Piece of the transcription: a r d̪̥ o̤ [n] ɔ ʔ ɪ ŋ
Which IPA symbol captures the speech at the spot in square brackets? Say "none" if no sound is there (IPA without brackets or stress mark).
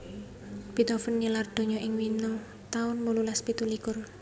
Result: ɲ